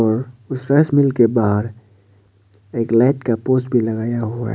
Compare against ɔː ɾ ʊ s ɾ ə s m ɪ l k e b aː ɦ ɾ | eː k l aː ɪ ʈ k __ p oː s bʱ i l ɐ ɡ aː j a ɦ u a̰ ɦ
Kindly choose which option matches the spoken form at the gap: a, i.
a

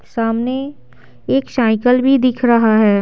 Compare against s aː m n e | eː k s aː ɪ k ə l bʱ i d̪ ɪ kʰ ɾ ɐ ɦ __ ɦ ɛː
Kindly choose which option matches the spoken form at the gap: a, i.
a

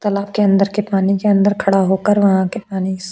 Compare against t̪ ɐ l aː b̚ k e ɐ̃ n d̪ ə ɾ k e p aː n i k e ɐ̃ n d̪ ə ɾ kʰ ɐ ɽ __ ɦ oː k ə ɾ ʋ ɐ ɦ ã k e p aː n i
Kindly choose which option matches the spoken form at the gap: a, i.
a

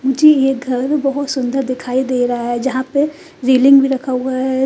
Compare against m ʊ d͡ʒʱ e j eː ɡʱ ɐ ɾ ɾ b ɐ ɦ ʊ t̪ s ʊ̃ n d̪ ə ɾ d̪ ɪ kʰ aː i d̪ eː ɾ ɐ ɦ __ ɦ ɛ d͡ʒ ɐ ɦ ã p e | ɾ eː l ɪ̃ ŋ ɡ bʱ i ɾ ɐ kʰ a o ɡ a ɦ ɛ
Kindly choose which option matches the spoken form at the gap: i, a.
a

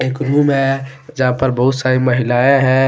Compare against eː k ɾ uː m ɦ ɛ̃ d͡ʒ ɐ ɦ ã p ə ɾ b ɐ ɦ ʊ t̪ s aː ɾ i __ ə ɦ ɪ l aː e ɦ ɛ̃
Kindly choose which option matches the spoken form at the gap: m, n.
m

